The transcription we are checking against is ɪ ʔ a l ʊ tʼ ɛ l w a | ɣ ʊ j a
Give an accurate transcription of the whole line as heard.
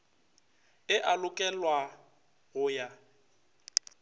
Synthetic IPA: ɪ ʔ a l ʊ kʼ ɛ l w a | ɣ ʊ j a